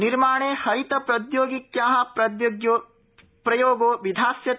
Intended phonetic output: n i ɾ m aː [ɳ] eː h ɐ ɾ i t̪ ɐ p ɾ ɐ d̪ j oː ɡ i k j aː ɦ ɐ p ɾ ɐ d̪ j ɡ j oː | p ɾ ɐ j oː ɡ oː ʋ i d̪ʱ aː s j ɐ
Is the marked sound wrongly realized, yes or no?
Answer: no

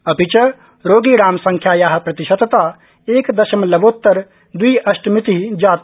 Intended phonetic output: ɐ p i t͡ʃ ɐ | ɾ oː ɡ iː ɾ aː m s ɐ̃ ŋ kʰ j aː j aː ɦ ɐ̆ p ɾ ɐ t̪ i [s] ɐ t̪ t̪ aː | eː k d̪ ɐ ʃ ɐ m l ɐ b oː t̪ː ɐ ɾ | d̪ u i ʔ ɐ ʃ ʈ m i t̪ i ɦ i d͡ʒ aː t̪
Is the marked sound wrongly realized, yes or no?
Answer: yes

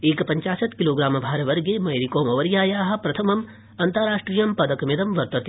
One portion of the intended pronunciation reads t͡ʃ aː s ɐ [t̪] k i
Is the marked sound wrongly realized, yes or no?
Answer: no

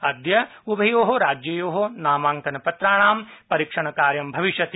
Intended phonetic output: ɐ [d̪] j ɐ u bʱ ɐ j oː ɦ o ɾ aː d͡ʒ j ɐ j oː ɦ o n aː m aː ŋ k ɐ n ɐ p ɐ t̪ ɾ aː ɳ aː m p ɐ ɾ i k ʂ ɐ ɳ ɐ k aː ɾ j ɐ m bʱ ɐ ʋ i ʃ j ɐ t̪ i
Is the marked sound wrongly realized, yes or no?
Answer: no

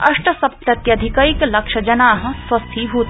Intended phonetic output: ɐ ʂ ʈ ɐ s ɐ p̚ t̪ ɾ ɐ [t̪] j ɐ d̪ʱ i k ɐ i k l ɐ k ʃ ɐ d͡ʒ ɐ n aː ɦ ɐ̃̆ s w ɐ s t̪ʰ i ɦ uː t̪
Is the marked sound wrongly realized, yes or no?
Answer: no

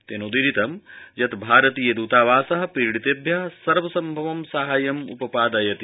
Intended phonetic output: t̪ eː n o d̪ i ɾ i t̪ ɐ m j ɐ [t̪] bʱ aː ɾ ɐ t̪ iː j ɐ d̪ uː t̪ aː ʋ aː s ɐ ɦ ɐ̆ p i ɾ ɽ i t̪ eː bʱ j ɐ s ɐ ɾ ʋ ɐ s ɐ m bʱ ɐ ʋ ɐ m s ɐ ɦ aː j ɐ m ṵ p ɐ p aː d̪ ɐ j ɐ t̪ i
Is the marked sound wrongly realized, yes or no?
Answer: no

